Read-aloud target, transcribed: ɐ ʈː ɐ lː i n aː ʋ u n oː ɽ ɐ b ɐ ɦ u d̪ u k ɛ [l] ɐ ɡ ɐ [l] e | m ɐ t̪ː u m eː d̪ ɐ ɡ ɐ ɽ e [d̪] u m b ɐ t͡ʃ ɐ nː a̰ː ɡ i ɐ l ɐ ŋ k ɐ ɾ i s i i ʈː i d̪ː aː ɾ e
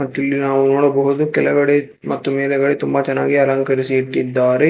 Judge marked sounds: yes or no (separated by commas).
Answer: yes, no, no